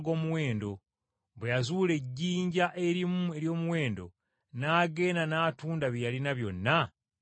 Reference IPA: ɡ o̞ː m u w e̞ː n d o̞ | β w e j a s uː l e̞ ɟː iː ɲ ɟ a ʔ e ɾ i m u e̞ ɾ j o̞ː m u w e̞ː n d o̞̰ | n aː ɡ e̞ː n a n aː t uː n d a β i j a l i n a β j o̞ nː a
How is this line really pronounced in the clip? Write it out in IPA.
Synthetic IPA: ɡ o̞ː m u w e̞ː n d o̞ | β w e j a z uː l e̞ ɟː iː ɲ ɟ a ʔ e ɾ i m u e̞ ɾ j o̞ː m u w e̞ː n d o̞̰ | n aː ɡ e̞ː n a n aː t uː n d a β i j a l i n a β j o̞ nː a